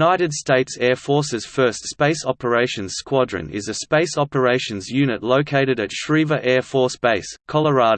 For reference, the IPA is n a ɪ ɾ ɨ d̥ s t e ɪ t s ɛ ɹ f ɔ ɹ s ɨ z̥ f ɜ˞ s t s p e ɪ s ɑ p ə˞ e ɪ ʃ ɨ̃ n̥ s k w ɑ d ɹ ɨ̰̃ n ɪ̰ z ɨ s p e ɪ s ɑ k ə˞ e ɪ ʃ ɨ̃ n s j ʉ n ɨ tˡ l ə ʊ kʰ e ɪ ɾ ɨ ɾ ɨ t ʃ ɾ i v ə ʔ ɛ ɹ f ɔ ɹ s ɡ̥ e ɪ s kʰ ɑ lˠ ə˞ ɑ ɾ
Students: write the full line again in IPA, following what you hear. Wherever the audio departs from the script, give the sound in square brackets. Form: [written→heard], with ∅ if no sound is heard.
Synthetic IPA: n a ɪ ɾ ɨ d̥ s t e ɪ t s ɛ ɹ f ɔ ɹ s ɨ z̥ f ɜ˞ s t s p e ɪ s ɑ p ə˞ e ɪ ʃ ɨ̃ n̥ s k w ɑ d ɹ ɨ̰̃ n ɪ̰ z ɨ s p e ɪ s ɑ [k→p] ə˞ e ɪ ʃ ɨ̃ n [s→z] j ʉ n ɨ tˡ l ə ʊ kʰ e ɪ ɾ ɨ ɾ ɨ t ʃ [ɾ→ɹ] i v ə ʔ ɛ ɹ f ɔ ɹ s [ɡ̥→b̥] e ɪ s kʰ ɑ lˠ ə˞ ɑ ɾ